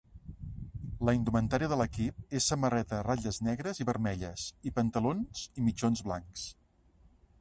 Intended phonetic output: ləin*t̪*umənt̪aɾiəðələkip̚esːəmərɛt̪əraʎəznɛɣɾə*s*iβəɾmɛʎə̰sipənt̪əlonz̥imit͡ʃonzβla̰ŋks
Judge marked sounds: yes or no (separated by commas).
no, no